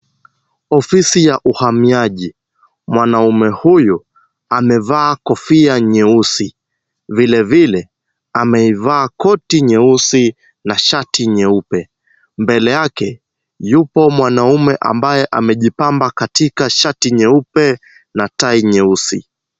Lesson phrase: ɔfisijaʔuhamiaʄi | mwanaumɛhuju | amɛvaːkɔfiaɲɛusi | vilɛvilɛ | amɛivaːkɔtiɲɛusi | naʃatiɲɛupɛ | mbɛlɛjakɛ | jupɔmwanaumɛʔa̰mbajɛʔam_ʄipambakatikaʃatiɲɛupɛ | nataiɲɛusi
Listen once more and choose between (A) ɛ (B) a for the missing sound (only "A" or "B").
A